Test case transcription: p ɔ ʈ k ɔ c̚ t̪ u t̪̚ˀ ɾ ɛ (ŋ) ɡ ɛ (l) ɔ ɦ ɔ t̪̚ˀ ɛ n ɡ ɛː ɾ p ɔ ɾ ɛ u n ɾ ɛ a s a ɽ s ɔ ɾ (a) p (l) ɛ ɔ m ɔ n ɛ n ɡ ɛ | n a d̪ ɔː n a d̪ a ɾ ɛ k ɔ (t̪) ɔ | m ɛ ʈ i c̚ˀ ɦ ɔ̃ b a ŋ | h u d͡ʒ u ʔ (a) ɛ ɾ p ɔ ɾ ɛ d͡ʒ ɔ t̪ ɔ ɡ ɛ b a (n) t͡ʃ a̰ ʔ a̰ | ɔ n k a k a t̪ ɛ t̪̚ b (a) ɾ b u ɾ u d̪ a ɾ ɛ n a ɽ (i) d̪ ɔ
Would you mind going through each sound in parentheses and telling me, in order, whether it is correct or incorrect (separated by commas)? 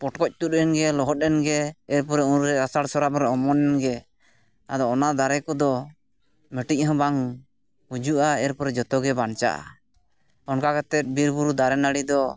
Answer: incorrect, correct, correct, incorrect, incorrect, correct, correct, incorrect, correct